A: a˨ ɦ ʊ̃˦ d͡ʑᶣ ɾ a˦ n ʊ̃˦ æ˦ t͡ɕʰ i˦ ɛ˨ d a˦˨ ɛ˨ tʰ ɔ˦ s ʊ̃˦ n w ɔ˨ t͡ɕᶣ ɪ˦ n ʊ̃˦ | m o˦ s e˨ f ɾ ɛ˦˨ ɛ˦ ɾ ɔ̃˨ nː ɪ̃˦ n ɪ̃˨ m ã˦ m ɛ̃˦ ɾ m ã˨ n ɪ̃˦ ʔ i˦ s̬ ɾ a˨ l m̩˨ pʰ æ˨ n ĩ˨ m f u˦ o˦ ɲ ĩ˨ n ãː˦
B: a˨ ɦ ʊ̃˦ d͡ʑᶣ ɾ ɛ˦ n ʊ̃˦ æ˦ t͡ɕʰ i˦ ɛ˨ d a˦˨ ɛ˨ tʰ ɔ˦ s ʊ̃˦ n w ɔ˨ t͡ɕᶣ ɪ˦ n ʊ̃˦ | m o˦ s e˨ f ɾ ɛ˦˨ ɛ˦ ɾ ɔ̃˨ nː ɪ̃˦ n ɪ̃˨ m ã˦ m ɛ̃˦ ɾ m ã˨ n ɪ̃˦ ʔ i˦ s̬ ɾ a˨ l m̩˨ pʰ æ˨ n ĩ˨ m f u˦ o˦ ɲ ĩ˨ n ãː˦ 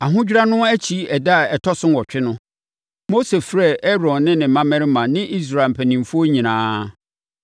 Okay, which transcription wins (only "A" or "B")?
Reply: A